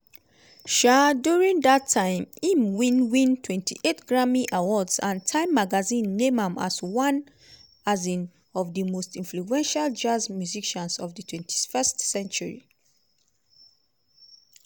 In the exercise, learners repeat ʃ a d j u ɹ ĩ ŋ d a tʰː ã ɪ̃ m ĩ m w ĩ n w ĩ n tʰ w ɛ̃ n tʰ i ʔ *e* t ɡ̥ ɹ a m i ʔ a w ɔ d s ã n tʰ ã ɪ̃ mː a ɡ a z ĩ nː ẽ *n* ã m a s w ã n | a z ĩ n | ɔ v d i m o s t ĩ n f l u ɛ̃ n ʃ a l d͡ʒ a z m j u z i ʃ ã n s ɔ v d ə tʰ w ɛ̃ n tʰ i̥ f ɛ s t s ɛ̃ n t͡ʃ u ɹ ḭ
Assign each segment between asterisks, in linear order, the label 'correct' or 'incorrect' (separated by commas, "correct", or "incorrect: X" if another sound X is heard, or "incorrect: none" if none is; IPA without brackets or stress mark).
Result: correct, incorrect: m